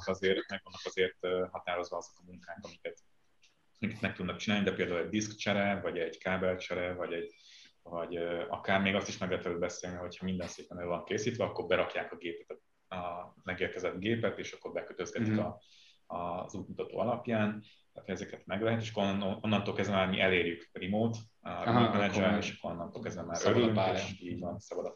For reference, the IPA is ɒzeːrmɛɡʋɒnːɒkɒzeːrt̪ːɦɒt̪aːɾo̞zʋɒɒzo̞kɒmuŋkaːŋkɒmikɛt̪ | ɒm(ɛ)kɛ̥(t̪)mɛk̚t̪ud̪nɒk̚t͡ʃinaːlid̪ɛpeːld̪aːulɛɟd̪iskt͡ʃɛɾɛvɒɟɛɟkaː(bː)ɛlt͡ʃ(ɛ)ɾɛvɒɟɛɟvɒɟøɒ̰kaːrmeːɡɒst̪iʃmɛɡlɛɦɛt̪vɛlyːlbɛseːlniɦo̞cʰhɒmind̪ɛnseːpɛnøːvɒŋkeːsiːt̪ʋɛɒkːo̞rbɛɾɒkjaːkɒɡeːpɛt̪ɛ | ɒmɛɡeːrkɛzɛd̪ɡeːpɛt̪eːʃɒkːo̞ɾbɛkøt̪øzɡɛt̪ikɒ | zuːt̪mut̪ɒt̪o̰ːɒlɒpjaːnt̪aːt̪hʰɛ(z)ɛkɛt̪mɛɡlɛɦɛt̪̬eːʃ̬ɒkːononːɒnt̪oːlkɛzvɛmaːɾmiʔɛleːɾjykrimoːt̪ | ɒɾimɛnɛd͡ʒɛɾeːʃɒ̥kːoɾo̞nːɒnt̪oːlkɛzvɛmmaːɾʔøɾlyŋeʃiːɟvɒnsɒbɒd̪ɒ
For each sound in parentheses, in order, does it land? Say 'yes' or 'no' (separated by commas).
no, yes, no, yes, yes